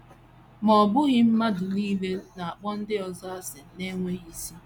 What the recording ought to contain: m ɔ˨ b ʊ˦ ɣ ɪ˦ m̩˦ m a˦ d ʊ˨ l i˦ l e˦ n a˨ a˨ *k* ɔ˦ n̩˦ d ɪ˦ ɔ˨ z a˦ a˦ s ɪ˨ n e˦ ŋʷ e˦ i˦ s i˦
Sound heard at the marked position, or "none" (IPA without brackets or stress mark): k͡p